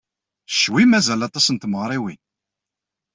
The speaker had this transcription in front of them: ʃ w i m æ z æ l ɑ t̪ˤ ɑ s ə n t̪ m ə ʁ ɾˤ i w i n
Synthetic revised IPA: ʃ w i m æ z æ l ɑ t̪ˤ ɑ s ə n t̪ m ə ʁ ɾˤ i w i n